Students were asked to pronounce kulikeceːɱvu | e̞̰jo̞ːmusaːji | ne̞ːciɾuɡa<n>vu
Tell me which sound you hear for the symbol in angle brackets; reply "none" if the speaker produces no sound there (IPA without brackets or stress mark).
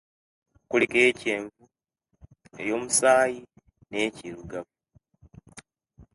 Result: none